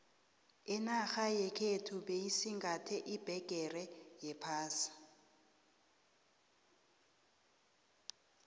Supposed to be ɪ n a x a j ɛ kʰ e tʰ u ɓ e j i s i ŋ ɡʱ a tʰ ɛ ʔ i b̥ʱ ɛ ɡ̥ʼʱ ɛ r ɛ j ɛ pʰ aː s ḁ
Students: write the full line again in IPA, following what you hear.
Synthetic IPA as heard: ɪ n a x a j ɛ kʰ e tʰ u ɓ e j i s i ŋ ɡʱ a tʰ ɛ ʔ i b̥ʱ ɛ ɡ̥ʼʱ ɛ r ɛ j ɛ pʰ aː s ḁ

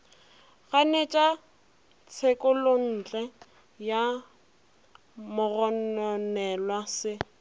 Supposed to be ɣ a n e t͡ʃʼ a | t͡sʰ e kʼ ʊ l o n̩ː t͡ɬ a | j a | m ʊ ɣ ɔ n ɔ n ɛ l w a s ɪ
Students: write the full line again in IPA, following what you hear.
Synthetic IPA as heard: ɣ a n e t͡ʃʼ a | t͡sʰ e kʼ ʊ l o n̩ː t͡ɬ ɛ | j a | m ʊ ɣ ɔ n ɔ n ɛ l w a s ɪ

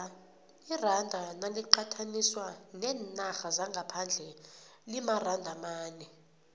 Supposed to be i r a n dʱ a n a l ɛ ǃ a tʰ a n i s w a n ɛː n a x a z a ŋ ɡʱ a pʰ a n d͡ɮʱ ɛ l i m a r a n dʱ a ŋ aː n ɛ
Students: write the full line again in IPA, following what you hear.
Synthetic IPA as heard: i r a n dʱ a n a l i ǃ a tʰ a n i s w a n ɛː n a x a z a ŋ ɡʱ a pʰ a n d͡ɮʱ ɛ l i m a r a n dʱ a m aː n ɛ

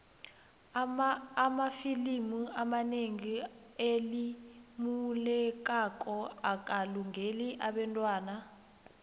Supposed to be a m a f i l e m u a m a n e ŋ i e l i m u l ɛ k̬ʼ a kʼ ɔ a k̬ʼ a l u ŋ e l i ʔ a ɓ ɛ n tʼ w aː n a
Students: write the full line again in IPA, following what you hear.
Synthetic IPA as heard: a m a f i l i m u a m a n e ŋ i e l i m u l ɛ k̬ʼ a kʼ ɔ a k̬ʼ a l u ŋ e l i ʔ a ɓ ɛ n tʼ w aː n a

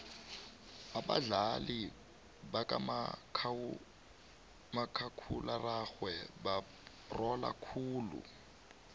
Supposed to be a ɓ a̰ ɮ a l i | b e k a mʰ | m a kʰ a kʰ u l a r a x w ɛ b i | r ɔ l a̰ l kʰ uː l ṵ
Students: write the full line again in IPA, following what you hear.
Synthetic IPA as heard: a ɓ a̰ ɮ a l i | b a k a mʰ | m a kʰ a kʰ u l a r a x w ɛ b a | r ɔ l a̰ kʰ uː l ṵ

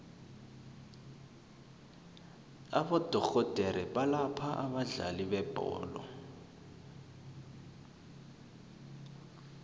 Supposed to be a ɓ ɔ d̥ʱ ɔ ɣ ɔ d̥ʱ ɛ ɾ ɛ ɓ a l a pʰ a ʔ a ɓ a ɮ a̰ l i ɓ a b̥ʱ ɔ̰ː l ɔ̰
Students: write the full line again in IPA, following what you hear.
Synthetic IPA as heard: a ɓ ɔ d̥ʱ ɔ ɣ ɔ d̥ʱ ɛ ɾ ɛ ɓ a l a pʰ a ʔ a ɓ a ɮ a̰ l i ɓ ɛ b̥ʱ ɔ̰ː l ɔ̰

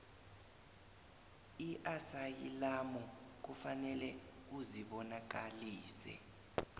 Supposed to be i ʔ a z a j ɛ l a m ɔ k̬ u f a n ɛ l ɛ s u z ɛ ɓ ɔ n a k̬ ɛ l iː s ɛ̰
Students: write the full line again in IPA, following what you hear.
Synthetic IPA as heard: i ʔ a s a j i l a m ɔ k̬ u f a n ɛ l ɛ u z i ɓ ɔ n a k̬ a l iː s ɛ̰

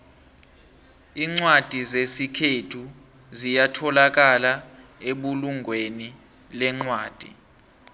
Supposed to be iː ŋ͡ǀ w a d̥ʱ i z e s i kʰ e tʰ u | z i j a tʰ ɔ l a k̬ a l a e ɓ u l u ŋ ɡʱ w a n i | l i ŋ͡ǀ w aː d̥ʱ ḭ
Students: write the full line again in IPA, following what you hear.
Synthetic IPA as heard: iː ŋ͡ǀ w a d̥ʱ i z e s i kʰ e tʰ u | z i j a tʰ ɔ l a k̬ a l a e ɓ u l u ŋ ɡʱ w e n i | l ɛ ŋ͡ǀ w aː d̥ʱ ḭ

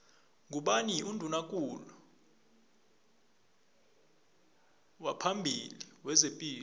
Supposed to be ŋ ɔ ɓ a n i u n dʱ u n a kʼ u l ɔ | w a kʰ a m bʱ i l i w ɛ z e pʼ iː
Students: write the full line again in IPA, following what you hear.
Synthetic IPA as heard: ŋ u ɓ a n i u n dʱ u n a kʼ u l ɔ | w a pʰ a m bʱ i l i w ɛ z e pʼ iː

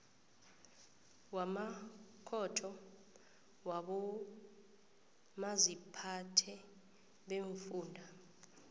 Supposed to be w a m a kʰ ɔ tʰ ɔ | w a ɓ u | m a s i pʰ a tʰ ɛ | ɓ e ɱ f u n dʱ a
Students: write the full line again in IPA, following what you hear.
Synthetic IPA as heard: w a m a kʰ ɔ tʰ ɔ | w a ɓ ɔ | m a z i pʰ a tʰ ɛ | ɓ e ɱ f uː n dʱ a

